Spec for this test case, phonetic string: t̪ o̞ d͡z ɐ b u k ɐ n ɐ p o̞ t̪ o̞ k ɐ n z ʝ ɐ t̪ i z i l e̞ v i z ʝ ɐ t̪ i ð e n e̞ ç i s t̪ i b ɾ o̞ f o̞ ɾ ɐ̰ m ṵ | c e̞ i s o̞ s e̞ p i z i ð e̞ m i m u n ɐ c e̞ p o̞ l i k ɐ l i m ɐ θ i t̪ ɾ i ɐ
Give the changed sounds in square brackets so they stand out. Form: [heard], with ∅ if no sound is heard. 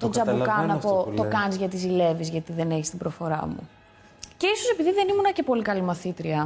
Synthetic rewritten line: t̪ o̞ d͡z ɐ b u k ɐ n ɐ p o̞ t̪ o̞ k ɐ n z ʝ ɐ t̪ i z i l e̞ v i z ʝ ɐ t̪ i ð e n e̞ ç i s t̪ i b ɾ o̞ f o̞ ɾ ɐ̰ m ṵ | c e̞ i s o̞ s e̞ p i [ð] i ð e̞ [n] i m u n ɐ c e̞ p o̞ l i k ɐ l i m ɐ θ i t̪ ɾ i ɐ